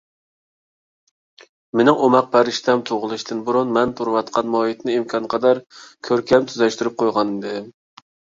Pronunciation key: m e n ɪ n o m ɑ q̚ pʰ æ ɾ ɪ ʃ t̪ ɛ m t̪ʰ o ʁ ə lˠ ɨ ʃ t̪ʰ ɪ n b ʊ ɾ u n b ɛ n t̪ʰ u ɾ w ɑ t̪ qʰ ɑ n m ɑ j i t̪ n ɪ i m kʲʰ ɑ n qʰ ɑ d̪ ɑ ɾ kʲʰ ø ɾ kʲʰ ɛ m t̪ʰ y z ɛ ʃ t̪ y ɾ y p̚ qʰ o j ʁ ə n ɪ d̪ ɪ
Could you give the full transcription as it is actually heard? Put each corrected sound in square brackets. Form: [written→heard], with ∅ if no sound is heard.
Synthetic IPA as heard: m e n ɪ [n→ŋ] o m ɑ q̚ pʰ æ ɾ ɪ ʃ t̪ ɛ m t̪ʰ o ʁ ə lˠ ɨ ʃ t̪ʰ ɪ n b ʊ ɾ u n [b→m] ɛ n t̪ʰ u ɾ w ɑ t̪ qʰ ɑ n m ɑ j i t̪ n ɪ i m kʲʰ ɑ n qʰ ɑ d̪ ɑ ɾ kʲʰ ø ɾ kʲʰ ɛ m t̪ʰ y z ɛ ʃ t̪ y ɾ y p̚ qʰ o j ʁ [ə→ɑ] n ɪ d̪ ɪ